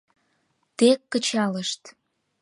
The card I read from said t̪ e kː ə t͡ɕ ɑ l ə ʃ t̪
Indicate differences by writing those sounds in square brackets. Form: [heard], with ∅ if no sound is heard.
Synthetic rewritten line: t̪ e kː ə t͡ɕ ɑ l ə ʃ t̪